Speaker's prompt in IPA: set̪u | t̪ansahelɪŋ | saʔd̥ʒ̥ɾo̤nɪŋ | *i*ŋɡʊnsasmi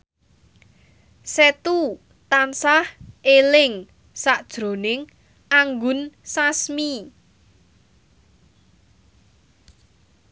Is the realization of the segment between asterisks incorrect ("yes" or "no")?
yes